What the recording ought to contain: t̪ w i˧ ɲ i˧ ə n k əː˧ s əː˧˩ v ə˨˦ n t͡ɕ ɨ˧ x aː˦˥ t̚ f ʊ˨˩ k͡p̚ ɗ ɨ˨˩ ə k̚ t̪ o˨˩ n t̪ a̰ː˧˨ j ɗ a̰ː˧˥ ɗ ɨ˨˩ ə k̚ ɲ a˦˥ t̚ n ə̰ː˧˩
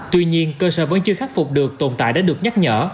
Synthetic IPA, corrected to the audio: t̪ w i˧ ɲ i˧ ə n k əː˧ s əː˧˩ v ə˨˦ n t͡ɕ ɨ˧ x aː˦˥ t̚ f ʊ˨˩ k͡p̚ ɗ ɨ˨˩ ə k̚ t̪ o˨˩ n t̪ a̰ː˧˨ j ɗ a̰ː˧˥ ɗ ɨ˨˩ ə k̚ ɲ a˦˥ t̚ ɲ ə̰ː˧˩